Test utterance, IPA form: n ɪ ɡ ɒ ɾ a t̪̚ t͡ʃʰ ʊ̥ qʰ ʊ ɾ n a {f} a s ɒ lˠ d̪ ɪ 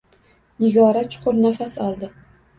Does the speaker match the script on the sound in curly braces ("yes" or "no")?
yes